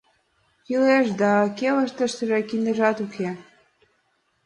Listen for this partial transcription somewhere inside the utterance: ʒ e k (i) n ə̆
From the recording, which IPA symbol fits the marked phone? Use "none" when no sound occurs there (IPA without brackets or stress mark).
i